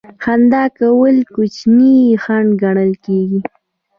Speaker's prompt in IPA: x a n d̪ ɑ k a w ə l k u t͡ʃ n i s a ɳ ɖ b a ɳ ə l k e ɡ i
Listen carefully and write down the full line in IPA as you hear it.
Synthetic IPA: x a n d̪ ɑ k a w ə l k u t͡ʃ n i x a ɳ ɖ ɡ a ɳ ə l k e ɡ i